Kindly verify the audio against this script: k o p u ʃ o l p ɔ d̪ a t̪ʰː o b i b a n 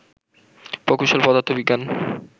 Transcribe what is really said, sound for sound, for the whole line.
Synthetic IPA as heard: p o k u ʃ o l p ɔ d̪ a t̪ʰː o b i ɡ a n